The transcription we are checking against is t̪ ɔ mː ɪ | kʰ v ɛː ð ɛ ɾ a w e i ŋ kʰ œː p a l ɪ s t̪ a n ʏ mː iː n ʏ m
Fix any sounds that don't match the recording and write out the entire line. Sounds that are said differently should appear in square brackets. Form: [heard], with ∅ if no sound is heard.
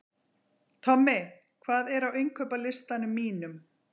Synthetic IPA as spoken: [t̪ʰ] ɔ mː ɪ | kʰ v [aː] ð ɛ ɾ a w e [j] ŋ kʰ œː p a l ɪ s t̪ a n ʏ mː iː n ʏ m